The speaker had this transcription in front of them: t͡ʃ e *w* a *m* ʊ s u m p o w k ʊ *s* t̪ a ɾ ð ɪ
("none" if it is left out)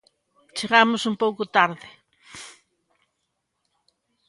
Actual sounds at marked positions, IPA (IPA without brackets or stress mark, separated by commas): ɣ, m, none